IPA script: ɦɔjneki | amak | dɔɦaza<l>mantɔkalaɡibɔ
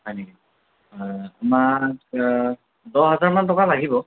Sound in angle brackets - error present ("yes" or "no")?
yes